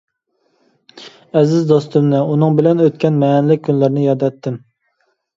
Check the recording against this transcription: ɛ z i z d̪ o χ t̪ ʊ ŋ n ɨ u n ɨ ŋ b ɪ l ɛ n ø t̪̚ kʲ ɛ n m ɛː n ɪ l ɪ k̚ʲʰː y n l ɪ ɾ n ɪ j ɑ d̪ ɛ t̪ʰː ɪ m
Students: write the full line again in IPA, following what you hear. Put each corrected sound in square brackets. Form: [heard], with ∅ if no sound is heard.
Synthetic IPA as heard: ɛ z [ɪ] z d̪ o [s] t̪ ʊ [m] n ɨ u n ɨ ŋ b ɪ l ɛ n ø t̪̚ kʲ ɛ n m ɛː n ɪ l ɪ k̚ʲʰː y n l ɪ ɾ n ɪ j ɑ d̪ ɛ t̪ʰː ɪ m